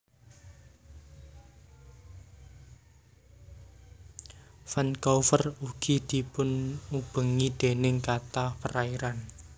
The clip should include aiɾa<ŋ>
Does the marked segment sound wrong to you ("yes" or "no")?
yes